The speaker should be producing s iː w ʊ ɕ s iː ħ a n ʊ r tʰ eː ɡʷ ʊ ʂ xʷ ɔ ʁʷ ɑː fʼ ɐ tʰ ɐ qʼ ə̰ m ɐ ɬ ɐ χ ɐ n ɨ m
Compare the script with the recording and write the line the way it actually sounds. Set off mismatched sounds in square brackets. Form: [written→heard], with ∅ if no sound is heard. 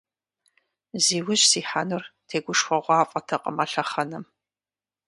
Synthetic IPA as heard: [s→z] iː w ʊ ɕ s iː ħ a n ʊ r tʰ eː ɡʷ ʊ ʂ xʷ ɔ ʁʷ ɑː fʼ ɐ tʰ ɐ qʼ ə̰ m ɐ ɬ ɐ χ ɐ n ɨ m